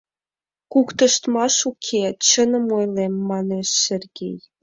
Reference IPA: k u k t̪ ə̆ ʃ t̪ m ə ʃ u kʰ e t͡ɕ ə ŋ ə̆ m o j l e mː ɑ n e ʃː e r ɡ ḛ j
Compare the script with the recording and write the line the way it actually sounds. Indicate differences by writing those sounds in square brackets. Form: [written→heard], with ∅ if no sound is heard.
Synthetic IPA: k u k t̪ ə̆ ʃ t̪ m [ə→ɑ] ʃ u kʰ e t͡ɕ ə [ŋ→n] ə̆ m o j l e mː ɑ n e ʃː e r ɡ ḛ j

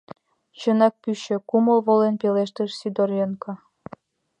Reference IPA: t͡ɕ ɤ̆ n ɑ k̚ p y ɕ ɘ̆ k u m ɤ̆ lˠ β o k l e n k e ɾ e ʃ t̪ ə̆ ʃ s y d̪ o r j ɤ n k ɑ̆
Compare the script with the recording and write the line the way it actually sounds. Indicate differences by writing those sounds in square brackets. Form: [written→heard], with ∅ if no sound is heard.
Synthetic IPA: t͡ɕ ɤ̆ n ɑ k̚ p y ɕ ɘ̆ k u m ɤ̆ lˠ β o [k→∅] l e n [k→p] e [ɾ→l] e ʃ t̪ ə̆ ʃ s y d̪ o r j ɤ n k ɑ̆

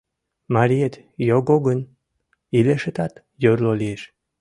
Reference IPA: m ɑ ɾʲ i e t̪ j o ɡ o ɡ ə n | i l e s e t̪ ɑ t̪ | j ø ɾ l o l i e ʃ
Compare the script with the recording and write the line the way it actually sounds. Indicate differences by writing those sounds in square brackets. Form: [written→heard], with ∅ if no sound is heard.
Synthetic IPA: m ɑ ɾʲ i e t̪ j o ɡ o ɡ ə n | i l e [s→ʃ] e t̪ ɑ t̪ | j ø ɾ l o l i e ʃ

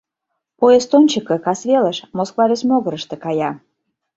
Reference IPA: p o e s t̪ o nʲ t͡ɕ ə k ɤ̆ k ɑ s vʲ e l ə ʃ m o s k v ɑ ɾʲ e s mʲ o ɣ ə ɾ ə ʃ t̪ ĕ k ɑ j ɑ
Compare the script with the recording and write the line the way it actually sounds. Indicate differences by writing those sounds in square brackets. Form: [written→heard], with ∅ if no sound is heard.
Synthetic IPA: p o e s t̪ o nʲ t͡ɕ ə k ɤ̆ k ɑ s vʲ e l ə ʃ m o s k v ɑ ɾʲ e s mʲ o ɣ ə ɾ ə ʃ t̪ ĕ k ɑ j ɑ

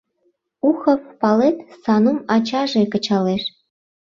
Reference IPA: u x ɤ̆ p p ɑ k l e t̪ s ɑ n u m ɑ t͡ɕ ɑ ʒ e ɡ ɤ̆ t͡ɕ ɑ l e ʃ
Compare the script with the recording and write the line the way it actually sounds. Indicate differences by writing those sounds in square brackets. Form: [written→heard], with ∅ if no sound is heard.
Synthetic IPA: u x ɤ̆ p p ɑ [k→∅] l e t̪ s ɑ n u m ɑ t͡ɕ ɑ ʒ e [ɡ→k] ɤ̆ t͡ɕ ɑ l e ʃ

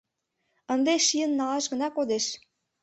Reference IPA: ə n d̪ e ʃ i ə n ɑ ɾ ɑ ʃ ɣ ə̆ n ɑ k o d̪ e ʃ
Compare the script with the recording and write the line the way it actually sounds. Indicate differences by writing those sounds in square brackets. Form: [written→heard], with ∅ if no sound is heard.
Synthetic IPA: ə n d̪ e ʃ i ə [n→nː] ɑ [ɾ→l] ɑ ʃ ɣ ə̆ n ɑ k o d̪ e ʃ

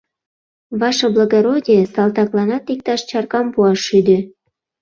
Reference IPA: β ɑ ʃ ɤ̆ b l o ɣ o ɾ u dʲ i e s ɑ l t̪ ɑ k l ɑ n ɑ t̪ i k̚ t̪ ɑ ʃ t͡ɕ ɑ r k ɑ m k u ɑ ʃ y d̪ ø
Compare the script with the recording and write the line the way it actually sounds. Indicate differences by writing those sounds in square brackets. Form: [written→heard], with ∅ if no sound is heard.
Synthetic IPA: β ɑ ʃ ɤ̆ b l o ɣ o ɾ [u→o] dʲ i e s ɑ l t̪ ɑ k l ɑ n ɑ t̪ i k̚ t̪ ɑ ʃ t͡ɕ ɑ r k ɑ m [k→p] u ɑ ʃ y d̪ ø

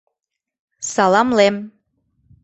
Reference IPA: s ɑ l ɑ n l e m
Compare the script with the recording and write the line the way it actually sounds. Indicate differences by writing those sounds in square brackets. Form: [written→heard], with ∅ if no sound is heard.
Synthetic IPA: s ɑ l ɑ [n→m] l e m

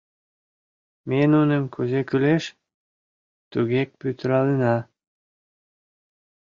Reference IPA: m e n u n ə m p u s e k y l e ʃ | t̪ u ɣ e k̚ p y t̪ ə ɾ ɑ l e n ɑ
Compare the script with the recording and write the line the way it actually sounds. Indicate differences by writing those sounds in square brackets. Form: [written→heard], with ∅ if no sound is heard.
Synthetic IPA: m e n u n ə m [p→k] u [s→z] e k y l e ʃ | t̪ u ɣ e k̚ p y t̪ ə ɾ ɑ l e n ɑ

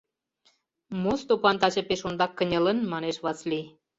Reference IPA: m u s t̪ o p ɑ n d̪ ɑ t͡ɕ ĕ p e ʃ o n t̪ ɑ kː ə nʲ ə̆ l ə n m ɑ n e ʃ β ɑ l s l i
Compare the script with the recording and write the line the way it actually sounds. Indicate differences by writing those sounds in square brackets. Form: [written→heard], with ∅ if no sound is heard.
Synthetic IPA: m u s t̪ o p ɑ n [d̪→t̪] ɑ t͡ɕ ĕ p e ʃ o n [t̪→d̪] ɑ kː ə nʲ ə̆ l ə n m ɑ n e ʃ β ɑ [l→∅] s l i

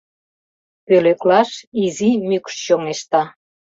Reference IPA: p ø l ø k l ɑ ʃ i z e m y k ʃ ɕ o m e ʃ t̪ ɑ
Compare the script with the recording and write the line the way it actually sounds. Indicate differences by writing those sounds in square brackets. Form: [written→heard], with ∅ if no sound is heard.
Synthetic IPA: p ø l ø k l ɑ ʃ i z [e→i] m y k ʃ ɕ o m e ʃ t̪ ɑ

